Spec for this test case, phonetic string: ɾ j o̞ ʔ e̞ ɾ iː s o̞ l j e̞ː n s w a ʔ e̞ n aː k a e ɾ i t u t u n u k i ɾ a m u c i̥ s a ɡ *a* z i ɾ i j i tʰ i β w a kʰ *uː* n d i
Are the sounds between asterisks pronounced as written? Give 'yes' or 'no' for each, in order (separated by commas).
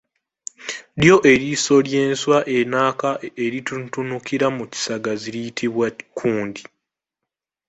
yes, yes